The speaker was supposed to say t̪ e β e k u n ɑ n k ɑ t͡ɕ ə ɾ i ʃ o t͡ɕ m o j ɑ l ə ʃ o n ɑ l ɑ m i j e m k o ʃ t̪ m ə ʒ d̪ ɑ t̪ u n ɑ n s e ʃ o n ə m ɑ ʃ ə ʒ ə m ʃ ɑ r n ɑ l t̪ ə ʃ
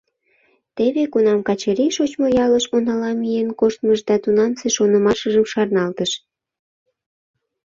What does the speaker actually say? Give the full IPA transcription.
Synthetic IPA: t̪ e β e k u n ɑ m k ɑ t͡ɕ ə ɾ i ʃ o t͡ɕ m o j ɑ l ə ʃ o n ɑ l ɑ m i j e n k o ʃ t̪ m ə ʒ d̪ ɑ t̪ u n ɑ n s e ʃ o n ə m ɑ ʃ ə ʒ ə m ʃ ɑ r n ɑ l t̪ ə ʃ